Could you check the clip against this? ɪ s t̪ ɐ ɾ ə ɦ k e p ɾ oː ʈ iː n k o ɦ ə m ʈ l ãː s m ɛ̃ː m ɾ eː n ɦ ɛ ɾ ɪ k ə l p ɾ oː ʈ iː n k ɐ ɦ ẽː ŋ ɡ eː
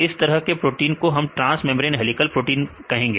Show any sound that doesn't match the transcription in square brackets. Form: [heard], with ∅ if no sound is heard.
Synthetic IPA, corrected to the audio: ɪ s t̪ ɐ ɾ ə ɦ k e p ɾ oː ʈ iː n k o ɦ [ɐ] m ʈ [ɾ] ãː s m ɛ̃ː m ɾ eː n ɦ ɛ [l] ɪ k ə l p ɾ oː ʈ iː n k ɐ ɦ ẽː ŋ ɡ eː